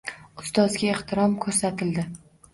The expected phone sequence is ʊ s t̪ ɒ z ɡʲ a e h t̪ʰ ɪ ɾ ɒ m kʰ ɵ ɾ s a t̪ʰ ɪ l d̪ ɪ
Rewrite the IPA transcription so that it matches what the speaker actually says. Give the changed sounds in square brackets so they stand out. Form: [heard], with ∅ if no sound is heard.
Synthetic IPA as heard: ʊ s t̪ ɒ z ɡʲ a e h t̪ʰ ɪ ɾ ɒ m kʰ ɵ ɾ s a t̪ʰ ɪ l d̪ ɪ